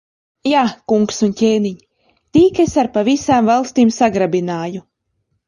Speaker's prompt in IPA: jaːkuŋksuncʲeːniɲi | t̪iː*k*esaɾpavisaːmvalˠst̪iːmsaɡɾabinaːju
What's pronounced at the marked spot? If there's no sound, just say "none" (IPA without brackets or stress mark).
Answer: k